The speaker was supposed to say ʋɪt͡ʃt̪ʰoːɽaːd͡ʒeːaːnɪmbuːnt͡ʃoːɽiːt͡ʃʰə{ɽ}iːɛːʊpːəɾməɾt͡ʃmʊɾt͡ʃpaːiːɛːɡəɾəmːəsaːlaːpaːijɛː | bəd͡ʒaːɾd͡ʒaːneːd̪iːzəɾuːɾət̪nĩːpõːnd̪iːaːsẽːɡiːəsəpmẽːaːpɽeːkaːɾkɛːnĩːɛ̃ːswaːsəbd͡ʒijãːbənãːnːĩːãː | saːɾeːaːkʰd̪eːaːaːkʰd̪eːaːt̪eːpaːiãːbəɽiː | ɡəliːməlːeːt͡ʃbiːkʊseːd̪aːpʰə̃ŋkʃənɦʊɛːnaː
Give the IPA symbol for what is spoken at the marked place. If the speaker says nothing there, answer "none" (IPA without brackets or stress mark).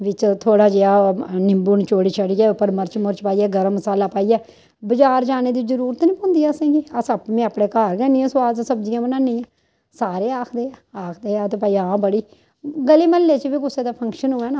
ɽ